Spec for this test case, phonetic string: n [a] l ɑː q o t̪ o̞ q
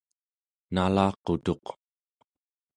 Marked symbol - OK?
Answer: yes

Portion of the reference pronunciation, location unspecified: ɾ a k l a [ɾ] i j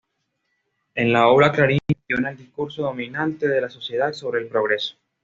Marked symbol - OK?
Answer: yes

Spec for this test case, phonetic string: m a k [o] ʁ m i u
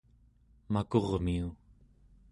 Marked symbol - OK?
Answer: yes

